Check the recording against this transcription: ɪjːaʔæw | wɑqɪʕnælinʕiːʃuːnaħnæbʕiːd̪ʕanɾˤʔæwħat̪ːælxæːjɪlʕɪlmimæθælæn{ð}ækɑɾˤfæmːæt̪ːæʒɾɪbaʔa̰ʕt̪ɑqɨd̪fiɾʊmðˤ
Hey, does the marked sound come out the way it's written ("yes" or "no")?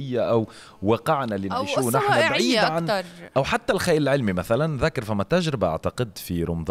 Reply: yes